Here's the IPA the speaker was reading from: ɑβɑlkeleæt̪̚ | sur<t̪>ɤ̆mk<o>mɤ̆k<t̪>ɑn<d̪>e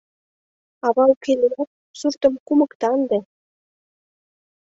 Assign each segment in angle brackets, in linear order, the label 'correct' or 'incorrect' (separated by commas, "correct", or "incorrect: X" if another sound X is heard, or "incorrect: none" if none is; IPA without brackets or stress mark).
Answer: correct, incorrect: u, correct, correct